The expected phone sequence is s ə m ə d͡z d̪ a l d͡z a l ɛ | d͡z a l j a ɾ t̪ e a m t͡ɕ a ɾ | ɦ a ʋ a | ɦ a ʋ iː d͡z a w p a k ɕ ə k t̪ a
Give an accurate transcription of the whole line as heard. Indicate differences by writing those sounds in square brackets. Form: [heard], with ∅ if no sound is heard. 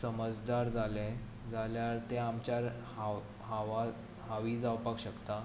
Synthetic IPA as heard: s ə m ə d͡z d̪ a [ɾ] d͡z a l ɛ | d͡z a l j a ɾ t̪ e a m t͡ɕ a ɾ | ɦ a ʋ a | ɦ a ʋ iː d͡z a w p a k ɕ ə k t̪ a